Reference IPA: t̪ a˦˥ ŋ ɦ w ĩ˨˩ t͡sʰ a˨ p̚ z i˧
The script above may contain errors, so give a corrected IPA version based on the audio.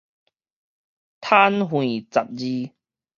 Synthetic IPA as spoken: t̪ʰ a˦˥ n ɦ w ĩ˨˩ t͡s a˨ p̚ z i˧